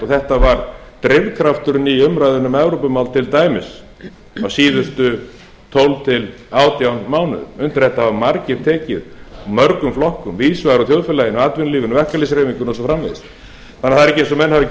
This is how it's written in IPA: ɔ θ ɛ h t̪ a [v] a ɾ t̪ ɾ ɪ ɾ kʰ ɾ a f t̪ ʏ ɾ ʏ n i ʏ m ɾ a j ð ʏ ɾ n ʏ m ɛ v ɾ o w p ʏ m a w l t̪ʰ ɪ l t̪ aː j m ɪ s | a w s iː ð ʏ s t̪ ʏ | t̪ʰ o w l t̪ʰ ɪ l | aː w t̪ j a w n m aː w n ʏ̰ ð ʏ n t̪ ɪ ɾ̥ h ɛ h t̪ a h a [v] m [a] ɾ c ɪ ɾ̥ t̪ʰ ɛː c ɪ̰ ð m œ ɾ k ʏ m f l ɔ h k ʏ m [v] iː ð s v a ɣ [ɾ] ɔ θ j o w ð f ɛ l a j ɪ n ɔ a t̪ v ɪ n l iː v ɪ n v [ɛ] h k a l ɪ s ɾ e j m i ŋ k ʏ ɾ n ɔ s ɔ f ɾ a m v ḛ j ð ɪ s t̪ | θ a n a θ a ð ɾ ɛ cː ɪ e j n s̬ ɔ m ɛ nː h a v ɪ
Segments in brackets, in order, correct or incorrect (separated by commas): correct, correct, correct, correct, correct, correct